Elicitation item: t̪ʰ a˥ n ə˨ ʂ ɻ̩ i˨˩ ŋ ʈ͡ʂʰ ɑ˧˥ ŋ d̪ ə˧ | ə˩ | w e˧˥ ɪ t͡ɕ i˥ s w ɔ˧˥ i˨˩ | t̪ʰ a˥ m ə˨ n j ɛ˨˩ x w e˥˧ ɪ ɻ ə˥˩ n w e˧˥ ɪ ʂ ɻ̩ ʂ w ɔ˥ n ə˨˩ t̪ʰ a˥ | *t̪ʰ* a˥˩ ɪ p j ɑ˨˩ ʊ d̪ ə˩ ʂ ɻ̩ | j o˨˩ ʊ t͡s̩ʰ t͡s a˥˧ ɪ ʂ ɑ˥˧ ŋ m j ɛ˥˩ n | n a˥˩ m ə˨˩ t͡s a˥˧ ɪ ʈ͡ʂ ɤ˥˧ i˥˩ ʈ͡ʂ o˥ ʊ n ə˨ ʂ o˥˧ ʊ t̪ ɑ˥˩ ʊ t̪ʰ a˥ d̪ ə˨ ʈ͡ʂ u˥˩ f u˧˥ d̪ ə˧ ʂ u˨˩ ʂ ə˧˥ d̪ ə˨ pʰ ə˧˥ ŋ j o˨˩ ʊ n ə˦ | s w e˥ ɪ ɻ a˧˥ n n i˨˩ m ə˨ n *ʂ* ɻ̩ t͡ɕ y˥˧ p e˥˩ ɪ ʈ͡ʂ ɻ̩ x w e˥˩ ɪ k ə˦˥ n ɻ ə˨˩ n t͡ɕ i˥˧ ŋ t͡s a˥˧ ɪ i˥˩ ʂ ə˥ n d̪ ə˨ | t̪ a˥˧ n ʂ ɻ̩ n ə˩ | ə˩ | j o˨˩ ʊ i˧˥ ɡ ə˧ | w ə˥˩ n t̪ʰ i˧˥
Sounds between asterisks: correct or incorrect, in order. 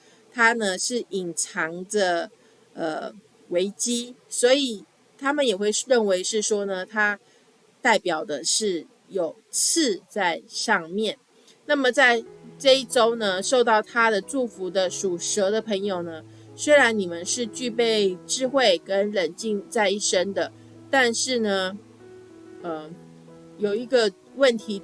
incorrect, correct

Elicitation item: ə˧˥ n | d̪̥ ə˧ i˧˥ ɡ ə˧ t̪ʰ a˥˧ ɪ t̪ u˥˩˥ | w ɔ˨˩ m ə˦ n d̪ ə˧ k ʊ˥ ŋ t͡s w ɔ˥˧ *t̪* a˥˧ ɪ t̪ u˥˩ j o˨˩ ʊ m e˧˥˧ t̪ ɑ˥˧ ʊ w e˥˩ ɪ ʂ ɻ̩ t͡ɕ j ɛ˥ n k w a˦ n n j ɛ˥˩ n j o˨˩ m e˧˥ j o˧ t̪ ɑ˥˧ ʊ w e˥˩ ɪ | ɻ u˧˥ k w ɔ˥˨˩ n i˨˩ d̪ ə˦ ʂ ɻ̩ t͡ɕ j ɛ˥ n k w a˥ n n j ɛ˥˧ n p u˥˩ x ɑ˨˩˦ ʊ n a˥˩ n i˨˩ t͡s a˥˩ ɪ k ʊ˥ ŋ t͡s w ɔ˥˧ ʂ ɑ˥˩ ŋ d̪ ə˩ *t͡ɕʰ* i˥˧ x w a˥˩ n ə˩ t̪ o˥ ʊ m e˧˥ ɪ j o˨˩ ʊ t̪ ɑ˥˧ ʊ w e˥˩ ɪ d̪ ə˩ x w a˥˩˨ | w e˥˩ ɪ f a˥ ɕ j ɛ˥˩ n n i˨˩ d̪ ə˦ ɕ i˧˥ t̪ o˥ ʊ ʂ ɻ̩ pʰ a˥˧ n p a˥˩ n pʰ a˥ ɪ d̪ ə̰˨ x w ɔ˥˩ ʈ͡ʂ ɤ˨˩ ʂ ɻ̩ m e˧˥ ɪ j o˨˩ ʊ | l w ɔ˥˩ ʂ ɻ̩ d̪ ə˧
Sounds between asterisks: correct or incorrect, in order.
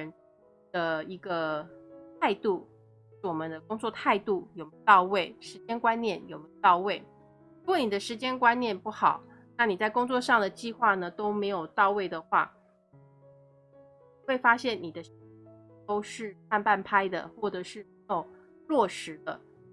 incorrect, incorrect

